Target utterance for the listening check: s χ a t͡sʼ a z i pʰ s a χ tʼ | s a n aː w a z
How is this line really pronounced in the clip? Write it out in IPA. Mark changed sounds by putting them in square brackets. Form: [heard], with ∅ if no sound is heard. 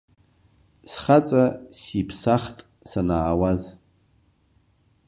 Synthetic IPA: s χ a t͡sʼ a [s] i pʰ s a χ tʼ | s a n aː w a z